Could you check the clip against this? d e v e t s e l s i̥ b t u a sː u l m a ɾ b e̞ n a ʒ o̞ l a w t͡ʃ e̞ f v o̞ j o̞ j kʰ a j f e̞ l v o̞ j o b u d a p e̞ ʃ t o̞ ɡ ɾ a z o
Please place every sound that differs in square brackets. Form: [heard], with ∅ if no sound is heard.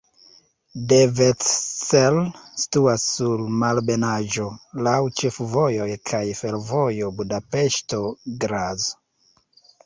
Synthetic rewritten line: d e v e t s e l s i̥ [∅] t u a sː u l m a [l] b e̞ n a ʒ o̞ l a w t͡ʃ e̞ f v o̞ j o̞ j kʰ a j f e̞ l v o̞ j o b u d a p e̞ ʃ t o̞ ɡ ɾ a z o